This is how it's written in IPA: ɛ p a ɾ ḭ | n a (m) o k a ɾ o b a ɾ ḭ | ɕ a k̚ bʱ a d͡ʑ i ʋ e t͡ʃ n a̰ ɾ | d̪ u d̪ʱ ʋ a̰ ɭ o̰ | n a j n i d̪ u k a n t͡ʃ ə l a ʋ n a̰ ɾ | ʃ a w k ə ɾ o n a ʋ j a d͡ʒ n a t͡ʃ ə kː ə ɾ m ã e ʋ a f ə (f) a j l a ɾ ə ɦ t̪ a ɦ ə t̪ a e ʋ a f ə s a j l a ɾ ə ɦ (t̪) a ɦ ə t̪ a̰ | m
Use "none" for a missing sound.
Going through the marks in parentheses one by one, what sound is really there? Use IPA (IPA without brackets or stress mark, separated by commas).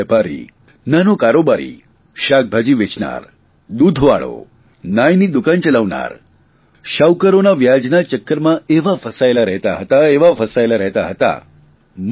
n, s, t̪